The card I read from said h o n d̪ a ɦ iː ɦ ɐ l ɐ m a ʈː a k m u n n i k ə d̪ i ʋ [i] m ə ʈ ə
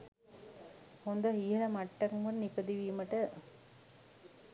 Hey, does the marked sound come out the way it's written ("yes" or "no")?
no